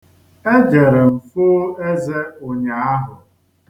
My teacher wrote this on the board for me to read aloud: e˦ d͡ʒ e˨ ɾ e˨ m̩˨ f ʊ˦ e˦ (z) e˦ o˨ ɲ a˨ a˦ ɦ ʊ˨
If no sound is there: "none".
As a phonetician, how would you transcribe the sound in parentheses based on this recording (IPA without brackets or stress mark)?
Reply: z